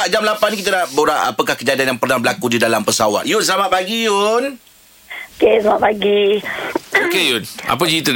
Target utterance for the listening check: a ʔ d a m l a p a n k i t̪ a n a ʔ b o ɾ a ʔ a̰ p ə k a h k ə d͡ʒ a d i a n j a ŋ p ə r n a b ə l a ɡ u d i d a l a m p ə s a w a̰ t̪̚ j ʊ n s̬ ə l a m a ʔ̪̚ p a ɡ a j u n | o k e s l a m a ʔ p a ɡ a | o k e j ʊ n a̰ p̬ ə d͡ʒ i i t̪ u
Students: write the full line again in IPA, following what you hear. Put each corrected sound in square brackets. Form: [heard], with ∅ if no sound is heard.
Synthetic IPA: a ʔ [d͡ʒ] a m l a p a n k i t̪ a n a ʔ b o ɾ a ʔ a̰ p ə k a h k ə d͡ʒ a d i a n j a ŋ p ə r n a b ə l a [k] u d i d a l a m p ə s a w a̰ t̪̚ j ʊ n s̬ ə l a m a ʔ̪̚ p a ɡ [i] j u n | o k e s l a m a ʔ p a ɡ [i] | o k e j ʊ n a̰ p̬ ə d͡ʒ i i t̪ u